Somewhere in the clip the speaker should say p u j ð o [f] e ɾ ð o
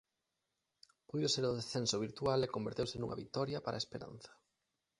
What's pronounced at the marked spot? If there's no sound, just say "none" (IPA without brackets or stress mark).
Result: s